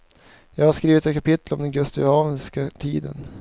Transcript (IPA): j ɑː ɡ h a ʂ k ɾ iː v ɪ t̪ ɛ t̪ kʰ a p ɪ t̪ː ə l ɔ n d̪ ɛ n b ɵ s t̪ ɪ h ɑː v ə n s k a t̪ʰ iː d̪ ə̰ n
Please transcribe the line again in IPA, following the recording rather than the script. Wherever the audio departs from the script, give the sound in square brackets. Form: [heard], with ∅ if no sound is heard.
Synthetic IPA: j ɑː ɡ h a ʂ k ɾ iː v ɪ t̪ ɛ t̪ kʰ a p ɪ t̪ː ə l ɔ [m] d̪ ɛ n [ɡ] ɵ s t̪ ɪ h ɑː v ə n s k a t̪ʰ iː d̪ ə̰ n